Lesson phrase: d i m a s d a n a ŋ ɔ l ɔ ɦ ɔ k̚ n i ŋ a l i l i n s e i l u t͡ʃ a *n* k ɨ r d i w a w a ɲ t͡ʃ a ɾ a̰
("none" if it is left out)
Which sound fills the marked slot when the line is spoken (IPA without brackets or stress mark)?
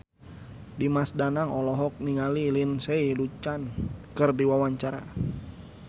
n